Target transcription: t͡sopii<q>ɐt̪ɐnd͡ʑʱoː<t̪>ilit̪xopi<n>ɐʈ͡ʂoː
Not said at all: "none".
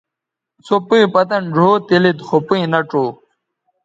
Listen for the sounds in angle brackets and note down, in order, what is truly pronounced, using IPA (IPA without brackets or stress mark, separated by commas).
p, t̪, n